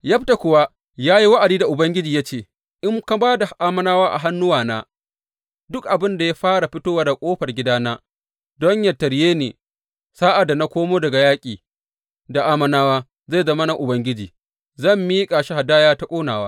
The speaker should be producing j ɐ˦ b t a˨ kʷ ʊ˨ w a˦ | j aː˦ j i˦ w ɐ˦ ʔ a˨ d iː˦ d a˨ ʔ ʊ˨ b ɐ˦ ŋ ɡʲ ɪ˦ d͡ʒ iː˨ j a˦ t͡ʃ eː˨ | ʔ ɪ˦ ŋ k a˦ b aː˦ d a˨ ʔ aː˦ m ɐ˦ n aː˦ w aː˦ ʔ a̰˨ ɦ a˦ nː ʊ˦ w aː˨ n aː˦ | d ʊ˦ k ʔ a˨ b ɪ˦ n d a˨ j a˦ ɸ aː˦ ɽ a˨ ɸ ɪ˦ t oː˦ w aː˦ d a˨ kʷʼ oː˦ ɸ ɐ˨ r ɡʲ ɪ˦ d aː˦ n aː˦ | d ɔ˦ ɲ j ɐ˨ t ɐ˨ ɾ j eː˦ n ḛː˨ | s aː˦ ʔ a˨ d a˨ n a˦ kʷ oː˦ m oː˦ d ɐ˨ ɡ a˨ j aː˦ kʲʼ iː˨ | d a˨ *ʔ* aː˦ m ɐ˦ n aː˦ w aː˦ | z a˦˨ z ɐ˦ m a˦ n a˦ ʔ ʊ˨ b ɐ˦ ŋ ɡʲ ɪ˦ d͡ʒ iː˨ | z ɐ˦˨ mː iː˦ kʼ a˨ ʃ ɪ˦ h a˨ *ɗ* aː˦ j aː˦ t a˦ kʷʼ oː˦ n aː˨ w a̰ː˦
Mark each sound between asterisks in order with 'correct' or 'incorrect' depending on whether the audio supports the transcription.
correct, incorrect: d

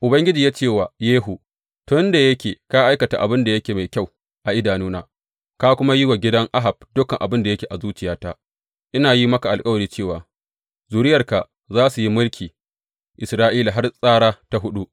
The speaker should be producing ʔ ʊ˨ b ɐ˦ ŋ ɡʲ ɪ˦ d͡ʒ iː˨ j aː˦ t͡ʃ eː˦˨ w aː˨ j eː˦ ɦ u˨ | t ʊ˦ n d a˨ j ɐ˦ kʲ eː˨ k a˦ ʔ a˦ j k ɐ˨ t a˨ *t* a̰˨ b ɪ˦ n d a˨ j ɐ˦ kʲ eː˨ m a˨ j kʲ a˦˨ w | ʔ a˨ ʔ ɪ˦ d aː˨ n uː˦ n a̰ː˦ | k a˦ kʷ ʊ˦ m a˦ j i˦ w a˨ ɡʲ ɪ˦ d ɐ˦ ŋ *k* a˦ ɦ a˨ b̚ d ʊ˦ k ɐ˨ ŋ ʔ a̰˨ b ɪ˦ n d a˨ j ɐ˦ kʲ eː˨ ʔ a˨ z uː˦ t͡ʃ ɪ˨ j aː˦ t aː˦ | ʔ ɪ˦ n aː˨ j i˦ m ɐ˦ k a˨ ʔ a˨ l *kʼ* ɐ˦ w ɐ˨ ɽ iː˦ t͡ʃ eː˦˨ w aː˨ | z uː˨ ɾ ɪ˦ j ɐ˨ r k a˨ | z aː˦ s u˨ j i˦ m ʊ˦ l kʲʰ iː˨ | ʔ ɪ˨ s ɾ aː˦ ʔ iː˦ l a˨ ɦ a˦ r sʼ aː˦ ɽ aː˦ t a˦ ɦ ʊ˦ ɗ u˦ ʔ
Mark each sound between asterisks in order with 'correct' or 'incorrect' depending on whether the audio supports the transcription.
incorrect: ʔ, incorrect: ʔ, correct

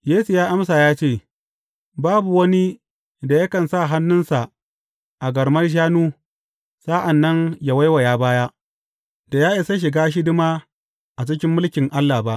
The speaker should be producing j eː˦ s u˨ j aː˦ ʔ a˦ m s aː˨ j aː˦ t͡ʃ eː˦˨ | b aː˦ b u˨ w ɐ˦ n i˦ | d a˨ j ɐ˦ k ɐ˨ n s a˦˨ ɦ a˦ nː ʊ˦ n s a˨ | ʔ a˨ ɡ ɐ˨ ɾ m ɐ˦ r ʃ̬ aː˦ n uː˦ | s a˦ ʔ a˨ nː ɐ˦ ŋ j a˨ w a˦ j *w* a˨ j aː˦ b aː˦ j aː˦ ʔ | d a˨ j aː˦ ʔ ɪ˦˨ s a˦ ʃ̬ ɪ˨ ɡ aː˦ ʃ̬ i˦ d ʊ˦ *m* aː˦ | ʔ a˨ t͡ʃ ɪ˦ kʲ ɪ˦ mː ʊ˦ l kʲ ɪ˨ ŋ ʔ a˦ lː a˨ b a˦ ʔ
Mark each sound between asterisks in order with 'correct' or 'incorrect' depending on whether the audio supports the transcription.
correct, correct

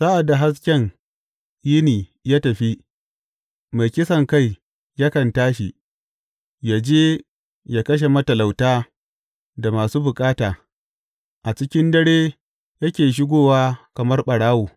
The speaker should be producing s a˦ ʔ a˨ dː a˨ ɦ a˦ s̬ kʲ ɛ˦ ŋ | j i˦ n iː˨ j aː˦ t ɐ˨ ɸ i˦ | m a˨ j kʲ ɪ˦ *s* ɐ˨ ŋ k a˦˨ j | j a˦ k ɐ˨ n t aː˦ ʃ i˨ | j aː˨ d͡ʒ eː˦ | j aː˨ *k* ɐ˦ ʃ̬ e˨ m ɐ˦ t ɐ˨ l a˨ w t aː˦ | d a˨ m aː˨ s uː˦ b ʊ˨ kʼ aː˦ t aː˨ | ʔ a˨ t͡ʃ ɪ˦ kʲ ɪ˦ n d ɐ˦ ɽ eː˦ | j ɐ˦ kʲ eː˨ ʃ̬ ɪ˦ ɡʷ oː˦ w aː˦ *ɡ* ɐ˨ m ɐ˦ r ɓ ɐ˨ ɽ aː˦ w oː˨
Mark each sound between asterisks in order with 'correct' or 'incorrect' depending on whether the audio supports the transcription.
correct, correct, incorrect: k

